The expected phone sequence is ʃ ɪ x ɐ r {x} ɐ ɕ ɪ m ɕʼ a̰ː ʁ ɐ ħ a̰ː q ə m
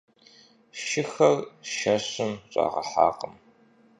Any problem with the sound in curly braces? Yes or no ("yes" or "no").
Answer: yes